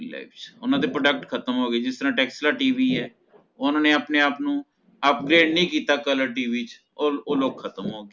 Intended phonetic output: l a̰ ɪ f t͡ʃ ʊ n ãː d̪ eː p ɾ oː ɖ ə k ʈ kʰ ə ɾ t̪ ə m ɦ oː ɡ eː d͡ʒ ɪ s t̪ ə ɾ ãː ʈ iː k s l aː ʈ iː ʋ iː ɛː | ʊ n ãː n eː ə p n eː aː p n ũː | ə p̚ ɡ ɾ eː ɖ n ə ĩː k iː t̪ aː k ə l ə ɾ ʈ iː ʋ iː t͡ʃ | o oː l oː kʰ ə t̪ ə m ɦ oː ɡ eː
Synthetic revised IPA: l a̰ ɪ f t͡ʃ ʊ n ãː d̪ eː p ɾ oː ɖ ə k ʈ kʰ ə t̪ ə m ɦ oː ɡ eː d͡ʒ ɪ s t̪ ə ɾ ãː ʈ ɛː k s l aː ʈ iː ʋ iː ɛː | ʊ n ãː n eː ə p n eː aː p n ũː | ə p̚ ɡ ɾ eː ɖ n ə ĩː k iː t̪ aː k ə l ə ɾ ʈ iː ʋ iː t͡ʃ | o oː l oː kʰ ə t̪ ə m ɦ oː ɡ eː